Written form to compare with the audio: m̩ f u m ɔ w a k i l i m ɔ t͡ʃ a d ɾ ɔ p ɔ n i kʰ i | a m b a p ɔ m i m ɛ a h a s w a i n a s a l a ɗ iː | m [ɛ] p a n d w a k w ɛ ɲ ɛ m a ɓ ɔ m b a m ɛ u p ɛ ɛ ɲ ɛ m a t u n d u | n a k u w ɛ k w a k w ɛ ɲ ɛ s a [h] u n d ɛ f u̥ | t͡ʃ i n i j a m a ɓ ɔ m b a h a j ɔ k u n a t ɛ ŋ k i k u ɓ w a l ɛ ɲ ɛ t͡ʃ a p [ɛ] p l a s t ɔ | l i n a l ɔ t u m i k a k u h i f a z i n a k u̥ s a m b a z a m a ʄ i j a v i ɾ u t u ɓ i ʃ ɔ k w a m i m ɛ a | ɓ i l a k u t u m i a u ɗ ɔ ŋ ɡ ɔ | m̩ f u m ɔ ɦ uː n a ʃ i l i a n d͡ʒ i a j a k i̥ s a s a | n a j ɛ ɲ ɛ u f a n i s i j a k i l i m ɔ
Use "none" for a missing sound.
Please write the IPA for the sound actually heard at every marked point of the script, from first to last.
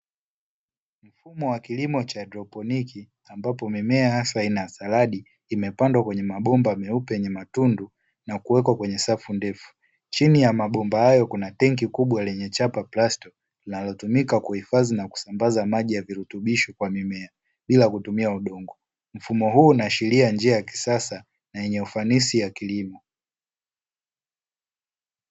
ɛ, f, a

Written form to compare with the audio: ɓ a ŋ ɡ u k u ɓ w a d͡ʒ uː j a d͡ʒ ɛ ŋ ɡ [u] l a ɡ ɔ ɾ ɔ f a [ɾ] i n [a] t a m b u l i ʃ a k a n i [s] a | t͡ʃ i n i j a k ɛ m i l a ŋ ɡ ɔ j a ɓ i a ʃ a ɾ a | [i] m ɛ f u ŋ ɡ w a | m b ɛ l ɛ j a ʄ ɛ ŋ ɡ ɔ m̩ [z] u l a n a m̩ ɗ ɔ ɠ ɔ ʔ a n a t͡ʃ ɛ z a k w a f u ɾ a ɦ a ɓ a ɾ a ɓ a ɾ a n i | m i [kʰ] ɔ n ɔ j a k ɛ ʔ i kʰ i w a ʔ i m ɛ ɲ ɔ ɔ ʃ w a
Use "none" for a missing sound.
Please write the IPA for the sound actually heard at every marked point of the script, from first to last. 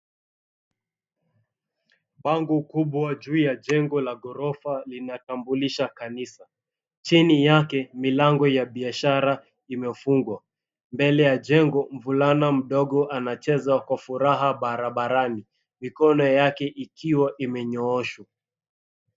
ɔ, l, a, s, i, v, k

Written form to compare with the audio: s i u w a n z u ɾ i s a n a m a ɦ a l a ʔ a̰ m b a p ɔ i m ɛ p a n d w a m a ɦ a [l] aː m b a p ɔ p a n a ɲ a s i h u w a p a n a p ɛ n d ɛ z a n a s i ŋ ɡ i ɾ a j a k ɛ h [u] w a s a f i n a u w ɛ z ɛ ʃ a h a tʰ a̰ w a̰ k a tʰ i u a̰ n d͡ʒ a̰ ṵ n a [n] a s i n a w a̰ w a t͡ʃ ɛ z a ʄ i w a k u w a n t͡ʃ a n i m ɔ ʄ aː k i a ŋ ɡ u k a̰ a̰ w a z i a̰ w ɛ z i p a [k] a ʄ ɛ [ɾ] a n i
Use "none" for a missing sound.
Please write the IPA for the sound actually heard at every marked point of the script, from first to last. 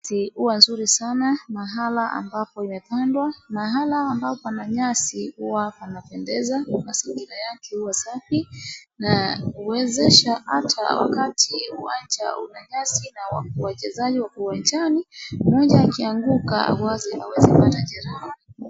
l, u, ɲ, t, ɾ

